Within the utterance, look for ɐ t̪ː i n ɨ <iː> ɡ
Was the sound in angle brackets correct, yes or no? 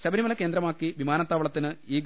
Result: yes